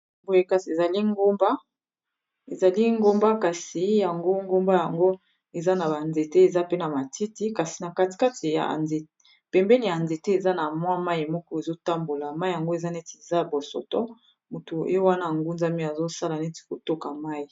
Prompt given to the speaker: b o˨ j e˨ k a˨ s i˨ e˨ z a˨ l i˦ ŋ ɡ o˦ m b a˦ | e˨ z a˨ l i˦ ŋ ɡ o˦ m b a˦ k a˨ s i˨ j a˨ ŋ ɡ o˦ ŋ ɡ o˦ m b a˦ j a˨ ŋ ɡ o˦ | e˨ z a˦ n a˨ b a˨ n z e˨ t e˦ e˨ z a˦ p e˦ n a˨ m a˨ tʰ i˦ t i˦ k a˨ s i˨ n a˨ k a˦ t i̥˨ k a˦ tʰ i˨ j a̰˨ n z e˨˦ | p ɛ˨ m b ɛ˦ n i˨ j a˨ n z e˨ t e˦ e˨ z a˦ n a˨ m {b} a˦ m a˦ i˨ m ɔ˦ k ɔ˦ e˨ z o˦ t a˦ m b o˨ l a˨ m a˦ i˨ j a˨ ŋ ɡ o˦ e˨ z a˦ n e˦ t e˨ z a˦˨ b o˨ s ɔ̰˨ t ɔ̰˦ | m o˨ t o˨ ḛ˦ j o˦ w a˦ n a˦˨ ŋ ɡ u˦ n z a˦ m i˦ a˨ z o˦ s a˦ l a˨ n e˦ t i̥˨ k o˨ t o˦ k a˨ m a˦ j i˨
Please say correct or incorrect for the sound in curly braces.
incorrect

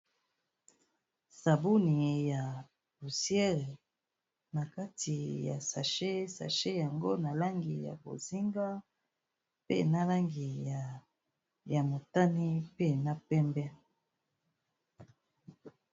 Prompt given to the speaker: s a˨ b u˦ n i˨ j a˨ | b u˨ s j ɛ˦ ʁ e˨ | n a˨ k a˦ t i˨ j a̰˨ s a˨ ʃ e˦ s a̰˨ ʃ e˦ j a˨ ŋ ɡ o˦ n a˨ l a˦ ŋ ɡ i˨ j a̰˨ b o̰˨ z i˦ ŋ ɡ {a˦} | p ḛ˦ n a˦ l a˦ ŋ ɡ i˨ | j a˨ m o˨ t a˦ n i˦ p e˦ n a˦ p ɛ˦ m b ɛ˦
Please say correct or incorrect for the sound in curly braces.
correct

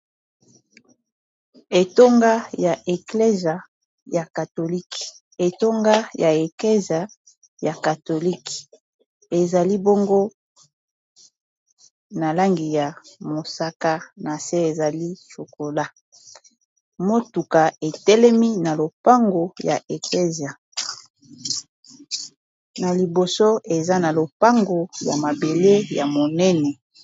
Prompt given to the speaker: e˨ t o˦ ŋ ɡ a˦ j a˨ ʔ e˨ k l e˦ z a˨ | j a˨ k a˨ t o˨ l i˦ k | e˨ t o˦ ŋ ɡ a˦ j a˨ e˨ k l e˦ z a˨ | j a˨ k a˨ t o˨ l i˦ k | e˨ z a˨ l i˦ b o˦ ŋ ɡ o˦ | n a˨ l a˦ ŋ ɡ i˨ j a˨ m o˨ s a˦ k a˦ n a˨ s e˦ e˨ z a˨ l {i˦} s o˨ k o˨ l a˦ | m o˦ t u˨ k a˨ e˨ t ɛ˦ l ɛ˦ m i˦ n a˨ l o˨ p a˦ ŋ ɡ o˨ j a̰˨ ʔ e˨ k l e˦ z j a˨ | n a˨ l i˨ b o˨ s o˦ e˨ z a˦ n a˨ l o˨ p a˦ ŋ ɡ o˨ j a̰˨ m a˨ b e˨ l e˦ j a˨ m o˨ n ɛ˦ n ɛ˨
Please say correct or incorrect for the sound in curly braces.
correct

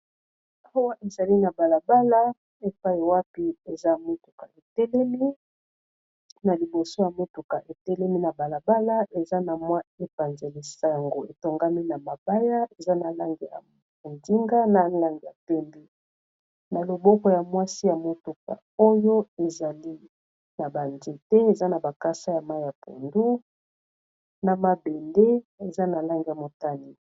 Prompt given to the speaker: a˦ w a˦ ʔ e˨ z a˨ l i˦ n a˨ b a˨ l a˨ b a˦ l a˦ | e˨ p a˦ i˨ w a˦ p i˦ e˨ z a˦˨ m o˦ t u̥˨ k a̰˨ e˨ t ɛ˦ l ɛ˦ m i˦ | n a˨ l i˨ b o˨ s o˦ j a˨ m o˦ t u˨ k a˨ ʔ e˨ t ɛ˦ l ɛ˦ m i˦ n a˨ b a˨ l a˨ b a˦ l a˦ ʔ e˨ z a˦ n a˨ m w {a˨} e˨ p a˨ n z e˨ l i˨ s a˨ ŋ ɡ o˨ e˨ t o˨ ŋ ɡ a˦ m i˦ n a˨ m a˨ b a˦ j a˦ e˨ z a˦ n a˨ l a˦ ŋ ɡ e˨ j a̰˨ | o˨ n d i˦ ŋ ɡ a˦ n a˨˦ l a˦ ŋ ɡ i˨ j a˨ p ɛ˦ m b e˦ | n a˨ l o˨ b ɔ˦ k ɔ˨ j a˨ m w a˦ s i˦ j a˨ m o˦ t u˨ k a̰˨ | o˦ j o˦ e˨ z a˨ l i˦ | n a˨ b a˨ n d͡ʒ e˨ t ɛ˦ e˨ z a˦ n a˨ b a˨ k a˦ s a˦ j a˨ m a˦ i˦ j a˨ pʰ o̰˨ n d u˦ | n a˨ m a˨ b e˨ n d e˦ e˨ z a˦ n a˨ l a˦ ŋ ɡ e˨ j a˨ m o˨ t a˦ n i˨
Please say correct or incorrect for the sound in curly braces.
incorrect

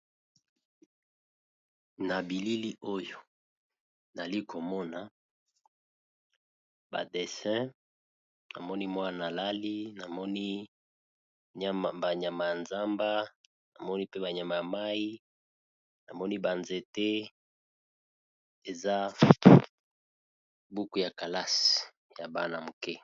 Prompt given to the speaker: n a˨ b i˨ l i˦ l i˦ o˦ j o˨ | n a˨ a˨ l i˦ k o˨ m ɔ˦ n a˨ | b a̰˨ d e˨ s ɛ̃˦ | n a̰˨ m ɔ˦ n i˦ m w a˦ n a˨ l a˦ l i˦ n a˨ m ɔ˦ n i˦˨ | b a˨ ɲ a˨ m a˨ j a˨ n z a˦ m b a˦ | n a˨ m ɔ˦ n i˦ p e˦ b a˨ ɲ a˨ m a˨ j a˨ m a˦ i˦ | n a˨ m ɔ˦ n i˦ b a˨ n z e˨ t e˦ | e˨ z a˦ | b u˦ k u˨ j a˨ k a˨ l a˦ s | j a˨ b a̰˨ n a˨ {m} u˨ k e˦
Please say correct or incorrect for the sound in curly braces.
correct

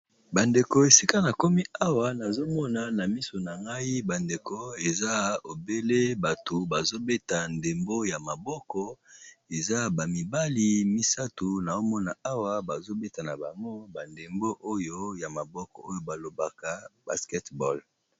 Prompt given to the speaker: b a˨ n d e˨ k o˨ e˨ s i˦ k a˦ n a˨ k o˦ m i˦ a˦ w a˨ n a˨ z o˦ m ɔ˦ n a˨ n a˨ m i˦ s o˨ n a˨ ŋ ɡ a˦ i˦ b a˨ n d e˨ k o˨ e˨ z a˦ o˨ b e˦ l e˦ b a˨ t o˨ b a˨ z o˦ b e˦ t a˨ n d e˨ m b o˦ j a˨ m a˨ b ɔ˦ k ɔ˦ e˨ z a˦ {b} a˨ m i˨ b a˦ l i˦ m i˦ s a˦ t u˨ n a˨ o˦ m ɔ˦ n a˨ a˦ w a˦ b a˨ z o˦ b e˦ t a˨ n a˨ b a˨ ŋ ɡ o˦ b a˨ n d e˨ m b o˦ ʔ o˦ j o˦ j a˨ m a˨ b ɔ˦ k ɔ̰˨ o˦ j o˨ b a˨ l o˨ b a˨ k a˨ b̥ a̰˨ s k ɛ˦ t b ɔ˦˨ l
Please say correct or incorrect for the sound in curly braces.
correct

